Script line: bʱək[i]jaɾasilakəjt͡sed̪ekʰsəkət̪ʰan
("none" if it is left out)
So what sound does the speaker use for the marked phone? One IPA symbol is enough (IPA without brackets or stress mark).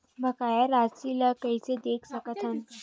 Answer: a